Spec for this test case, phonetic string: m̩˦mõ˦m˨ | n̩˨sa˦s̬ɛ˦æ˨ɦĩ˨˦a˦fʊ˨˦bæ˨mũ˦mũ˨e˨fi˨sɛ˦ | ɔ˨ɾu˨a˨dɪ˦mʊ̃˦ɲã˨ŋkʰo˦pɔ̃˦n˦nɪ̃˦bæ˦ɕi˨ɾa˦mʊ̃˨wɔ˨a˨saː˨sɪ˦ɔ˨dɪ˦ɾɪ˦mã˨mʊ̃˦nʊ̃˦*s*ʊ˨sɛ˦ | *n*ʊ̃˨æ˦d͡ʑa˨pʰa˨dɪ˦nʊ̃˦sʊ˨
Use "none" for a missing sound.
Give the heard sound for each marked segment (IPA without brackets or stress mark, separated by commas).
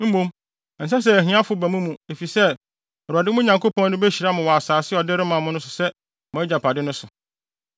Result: s, m